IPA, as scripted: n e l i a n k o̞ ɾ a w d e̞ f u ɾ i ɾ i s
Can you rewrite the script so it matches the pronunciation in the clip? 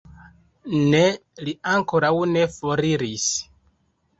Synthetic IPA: n e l i a ŋ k o̞ ɾ a w n e̞ f o ɾ i ɾ i s

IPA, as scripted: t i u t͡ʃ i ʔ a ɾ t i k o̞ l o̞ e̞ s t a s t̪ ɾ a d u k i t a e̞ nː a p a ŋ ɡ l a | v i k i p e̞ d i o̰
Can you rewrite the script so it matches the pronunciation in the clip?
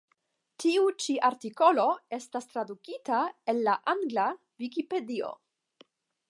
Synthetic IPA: t i u t͡ʃ i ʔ a ɾ t i k o̞ l o̞ e̞ s t a s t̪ ɾ a d u k i t a e̞ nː a ʔ a ŋ ɡ l a | v i k i p e̞ d i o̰

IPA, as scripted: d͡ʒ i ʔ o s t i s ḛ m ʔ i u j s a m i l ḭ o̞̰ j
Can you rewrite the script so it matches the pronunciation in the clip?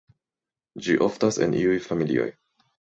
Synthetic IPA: d͡ʒ i ʔ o f t a s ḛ n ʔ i u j f a m i l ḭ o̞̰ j

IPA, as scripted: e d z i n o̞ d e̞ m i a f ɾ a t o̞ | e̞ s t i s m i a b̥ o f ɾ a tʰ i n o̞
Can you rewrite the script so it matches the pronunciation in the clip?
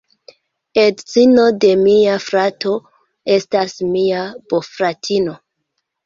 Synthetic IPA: e d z i n o̞ d e̞ m i a f ɾ a t o̞ | e̞ s t a s m i a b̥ o f ɾ a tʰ i n o̞

